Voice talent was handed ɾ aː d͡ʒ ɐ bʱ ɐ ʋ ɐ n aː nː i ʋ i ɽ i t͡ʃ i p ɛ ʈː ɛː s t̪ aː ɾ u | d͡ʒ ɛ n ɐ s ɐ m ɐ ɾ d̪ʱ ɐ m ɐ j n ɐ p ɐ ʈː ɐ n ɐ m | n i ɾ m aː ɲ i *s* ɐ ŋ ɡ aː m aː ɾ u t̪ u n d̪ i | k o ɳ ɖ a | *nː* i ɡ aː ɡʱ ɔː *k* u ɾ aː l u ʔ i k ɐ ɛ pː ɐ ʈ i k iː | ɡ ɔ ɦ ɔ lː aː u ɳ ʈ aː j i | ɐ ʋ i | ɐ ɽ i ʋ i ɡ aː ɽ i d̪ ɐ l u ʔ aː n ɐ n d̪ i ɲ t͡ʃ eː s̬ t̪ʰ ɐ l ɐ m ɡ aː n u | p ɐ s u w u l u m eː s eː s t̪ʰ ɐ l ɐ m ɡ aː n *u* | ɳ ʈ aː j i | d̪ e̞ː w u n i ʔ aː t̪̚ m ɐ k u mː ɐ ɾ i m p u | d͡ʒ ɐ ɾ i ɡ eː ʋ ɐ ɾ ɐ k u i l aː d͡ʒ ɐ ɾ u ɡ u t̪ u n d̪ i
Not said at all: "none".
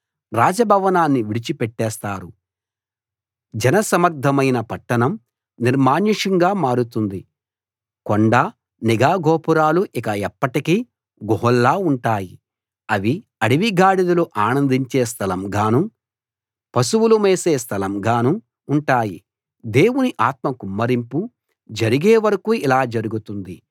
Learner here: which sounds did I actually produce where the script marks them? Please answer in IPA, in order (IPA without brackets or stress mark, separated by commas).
ʂ, n, p, uː